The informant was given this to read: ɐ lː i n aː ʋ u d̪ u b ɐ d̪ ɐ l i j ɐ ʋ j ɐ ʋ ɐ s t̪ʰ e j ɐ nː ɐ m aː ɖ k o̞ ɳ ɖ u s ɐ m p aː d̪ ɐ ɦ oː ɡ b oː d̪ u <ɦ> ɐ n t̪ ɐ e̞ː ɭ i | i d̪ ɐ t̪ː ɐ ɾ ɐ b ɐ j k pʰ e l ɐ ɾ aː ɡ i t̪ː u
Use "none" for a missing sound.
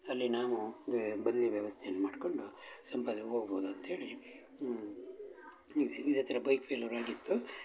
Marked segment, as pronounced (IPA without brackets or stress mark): none